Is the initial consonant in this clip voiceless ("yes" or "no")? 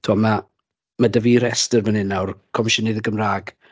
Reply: yes